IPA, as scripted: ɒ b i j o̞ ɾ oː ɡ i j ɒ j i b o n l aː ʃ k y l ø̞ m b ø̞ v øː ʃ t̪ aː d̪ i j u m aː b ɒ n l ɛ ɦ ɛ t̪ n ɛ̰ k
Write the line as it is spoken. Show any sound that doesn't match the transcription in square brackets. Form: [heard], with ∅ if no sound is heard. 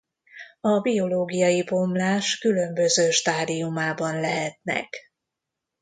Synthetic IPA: ɒ b i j o̞ [l] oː ɡ i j ɒ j i b o [m] l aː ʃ k y l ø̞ m b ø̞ [z] øː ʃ t̪ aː d̪ i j u m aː b ɒ n l ɛ ɦ ɛ t̪ n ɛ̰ k